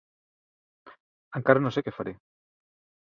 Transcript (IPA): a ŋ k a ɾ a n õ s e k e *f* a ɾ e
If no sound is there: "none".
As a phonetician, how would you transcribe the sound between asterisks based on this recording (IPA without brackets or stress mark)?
f